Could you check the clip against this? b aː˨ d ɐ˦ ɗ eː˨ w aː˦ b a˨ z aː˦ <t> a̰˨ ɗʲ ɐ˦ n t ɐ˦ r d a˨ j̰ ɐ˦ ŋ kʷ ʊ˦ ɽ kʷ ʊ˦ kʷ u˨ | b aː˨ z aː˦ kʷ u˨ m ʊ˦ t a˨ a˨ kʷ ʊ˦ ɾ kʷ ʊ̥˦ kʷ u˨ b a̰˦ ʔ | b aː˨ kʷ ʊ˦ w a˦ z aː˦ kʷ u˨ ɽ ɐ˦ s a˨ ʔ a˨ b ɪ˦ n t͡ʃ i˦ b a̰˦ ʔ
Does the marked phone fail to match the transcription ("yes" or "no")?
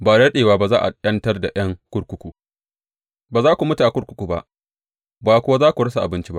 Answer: yes